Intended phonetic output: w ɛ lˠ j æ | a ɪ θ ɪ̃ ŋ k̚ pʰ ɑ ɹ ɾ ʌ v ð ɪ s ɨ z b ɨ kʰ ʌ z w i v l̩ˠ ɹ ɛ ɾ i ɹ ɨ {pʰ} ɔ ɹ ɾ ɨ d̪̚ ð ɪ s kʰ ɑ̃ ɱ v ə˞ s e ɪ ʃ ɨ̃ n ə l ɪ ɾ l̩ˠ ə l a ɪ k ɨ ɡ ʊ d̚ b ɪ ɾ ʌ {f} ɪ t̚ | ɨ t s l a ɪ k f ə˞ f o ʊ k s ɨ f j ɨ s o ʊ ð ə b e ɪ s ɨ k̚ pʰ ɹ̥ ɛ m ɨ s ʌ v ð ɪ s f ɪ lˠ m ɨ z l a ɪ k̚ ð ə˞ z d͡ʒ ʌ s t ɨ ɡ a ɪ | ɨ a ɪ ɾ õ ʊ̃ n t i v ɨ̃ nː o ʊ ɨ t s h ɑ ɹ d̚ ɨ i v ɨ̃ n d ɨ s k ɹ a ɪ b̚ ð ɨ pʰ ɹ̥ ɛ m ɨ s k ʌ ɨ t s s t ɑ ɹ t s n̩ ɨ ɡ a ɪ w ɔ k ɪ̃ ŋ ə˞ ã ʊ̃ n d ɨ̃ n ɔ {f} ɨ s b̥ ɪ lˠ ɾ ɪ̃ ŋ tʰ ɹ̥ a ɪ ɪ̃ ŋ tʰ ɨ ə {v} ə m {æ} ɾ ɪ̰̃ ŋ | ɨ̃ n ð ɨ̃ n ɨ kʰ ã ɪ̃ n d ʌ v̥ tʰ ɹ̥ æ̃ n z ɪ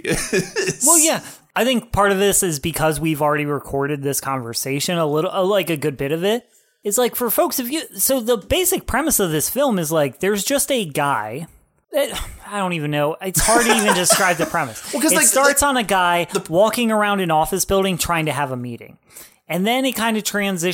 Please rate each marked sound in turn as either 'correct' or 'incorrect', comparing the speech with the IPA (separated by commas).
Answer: incorrect, incorrect, correct, correct, incorrect